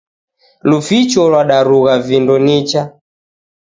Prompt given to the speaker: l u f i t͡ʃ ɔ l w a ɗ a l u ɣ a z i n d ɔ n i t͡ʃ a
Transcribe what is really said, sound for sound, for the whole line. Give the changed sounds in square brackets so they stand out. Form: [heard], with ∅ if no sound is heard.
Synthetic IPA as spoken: l u f i t͡ʃ ɔ l w a ɗ a [ɾ] u ɣ a [v] i n d ɔ n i t͡ʃ a